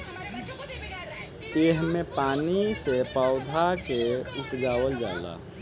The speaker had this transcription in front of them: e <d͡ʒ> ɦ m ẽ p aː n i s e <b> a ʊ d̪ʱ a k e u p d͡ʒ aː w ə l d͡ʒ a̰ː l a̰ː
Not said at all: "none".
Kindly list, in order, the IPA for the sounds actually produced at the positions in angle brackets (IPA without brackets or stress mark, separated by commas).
none, p